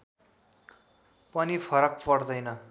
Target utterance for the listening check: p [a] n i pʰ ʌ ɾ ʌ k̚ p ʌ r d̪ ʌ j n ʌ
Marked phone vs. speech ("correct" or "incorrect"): incorrect